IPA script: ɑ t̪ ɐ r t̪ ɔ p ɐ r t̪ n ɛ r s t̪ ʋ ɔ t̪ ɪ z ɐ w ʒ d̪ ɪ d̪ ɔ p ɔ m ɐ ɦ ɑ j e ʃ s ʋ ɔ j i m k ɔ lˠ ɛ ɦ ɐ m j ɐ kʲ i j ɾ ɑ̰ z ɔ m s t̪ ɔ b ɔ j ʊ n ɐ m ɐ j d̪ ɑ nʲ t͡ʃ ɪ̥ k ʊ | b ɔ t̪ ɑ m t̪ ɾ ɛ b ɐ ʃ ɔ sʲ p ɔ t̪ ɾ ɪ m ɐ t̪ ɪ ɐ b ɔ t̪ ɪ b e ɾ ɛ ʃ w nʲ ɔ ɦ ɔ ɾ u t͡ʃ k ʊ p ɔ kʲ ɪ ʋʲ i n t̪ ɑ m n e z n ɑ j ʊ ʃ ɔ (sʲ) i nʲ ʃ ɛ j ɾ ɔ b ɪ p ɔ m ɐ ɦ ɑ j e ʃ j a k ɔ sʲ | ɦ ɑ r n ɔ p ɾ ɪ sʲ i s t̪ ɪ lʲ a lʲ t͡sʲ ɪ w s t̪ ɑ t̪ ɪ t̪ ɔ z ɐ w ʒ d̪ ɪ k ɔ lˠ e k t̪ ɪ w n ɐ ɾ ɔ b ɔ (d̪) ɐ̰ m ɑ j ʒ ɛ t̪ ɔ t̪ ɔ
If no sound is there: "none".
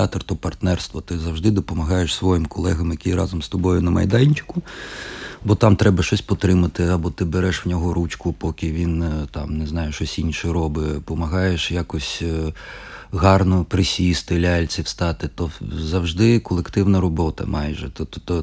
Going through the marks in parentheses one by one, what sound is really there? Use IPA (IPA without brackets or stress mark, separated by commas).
sʲ, t̪